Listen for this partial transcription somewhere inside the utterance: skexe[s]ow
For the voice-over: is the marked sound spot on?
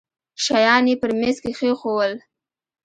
no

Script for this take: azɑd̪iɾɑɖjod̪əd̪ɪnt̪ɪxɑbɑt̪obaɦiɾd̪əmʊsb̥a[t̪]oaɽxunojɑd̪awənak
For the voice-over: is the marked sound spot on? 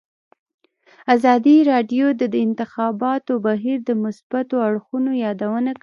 yes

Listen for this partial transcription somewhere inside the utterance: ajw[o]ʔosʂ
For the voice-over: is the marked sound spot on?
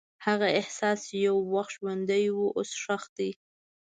no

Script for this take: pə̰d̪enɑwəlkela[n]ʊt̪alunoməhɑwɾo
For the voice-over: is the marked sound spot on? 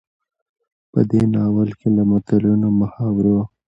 no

